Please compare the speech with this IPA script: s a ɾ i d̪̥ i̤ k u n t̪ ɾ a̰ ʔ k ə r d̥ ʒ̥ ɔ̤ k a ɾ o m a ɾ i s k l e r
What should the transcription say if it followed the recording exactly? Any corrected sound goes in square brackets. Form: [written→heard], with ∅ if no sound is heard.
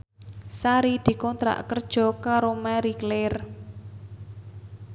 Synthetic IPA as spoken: s a ɾ i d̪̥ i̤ k [u→ɔ] n t̪ ɾ a̰ ʔ k ə r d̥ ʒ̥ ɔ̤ k a ɾ o m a ɾ i [s→∅] k l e r